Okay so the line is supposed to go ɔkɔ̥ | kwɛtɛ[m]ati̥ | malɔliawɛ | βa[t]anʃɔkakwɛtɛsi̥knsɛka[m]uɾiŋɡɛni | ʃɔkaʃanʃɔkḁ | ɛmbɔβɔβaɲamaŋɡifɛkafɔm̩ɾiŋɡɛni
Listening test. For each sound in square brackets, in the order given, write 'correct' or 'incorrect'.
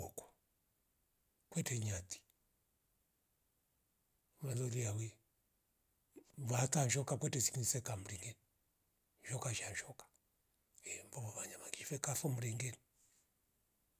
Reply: incorrect, correct, correct

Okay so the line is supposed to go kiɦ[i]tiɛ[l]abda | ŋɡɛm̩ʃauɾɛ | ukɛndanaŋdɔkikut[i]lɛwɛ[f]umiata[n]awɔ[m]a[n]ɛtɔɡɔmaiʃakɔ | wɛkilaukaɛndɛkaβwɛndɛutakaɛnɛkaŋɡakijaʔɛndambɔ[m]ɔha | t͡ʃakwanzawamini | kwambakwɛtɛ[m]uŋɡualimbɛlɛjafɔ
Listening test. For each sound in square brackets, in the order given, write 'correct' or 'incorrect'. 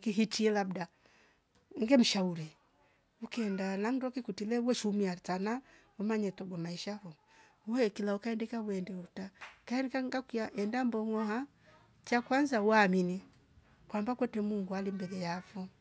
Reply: correct, correct, correct, incorrect, correct, correct, incorrect, incorrect, correct

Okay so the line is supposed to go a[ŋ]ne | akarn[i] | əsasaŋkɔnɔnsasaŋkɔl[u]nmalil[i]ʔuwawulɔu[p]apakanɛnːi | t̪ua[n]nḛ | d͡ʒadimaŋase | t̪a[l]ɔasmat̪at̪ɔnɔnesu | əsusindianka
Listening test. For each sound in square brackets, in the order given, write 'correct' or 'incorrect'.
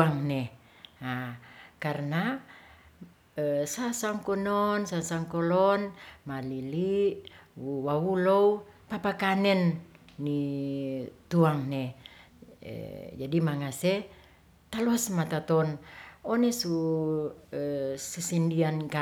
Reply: correct, incorrect, incorrect, correct, correct, incorrect, correct

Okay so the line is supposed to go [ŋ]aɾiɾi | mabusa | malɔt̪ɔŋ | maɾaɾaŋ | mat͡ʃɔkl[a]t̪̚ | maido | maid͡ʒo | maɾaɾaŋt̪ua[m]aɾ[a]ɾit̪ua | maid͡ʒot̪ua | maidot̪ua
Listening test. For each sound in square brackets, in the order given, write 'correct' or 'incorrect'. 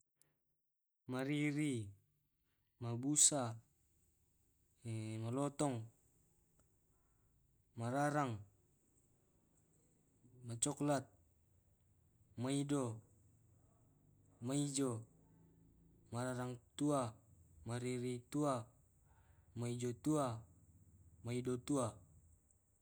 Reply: incorrect, correct, correct, incorrect

